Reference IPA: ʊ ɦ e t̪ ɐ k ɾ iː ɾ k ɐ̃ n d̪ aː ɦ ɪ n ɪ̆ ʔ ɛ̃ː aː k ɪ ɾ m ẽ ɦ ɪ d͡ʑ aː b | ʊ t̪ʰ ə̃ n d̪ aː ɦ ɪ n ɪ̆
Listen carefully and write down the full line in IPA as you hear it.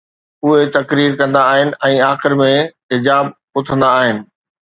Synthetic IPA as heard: ʊ ɦ e t̪ ɐ k ɾ iː ɾ k ɐ̃ n d̪ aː ɦ ɪ n ɪ̆ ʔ ɛ̃ː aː x ɪ ɾ m ẽ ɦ ɪ d͡ʑ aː b | ʊ t̪ʰ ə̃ n d̪ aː ɦ ɪ n ɪ̆